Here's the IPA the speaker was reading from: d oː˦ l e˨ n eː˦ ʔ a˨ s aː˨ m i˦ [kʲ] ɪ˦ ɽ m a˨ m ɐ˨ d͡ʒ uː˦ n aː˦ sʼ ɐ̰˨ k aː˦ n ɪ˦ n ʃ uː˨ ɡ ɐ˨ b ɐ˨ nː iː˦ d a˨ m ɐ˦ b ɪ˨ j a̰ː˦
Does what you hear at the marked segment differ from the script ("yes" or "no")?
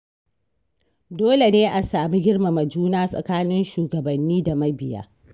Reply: yes